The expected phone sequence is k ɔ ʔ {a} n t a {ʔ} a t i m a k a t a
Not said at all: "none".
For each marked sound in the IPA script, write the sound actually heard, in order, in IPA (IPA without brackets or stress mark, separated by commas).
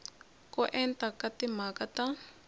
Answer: ɛ, k